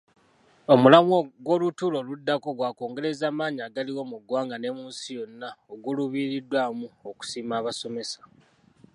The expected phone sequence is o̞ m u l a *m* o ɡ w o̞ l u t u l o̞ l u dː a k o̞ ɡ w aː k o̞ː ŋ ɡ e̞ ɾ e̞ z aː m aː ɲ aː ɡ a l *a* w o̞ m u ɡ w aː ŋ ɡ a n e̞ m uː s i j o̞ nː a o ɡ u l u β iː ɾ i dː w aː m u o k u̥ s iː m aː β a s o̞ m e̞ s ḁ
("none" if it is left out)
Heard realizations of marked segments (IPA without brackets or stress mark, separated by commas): m, i